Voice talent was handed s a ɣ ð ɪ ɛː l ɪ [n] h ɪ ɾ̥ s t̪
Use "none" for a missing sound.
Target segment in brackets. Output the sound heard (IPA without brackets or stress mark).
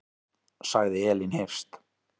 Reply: n